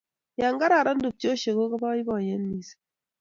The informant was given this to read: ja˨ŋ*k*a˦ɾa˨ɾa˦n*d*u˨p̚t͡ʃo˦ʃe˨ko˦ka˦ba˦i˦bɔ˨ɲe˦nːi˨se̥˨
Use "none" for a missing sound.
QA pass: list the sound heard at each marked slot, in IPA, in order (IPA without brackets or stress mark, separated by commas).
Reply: ɡ, d